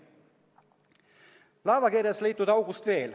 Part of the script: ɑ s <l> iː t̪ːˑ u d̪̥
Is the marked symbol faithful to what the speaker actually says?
yes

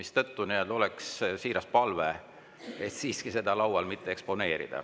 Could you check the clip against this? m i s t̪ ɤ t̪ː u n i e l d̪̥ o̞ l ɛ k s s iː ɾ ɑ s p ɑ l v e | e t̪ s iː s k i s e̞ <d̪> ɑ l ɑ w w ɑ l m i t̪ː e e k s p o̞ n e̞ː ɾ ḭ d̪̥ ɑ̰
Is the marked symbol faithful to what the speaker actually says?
yes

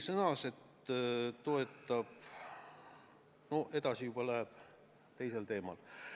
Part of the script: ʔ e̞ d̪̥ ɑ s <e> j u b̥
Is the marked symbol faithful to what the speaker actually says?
no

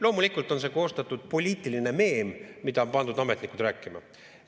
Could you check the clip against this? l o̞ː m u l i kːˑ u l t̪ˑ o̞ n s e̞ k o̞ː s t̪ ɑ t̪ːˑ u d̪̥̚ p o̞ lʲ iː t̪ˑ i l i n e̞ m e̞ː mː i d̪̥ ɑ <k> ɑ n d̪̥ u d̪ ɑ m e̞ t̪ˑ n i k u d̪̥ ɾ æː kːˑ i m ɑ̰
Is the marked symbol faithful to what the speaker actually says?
no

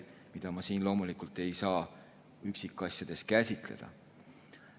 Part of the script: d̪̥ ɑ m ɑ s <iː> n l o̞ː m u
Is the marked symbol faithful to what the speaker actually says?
yes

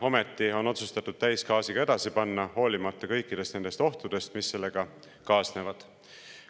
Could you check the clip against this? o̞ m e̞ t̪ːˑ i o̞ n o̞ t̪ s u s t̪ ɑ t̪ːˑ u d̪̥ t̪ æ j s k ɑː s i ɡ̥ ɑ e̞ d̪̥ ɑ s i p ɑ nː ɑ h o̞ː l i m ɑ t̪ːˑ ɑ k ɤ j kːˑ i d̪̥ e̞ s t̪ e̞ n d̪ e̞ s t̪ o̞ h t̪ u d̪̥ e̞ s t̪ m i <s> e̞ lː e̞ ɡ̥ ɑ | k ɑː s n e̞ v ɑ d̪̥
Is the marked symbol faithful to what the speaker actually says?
no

